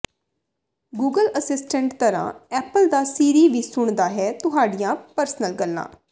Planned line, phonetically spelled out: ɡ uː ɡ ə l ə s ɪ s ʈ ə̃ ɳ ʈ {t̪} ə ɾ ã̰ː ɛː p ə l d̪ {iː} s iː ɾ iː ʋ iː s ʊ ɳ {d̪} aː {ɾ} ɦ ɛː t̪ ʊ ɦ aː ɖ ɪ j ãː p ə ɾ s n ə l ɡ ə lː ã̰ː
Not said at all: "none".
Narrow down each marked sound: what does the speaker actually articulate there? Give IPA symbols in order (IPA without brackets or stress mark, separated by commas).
t̪, aː, d̪, none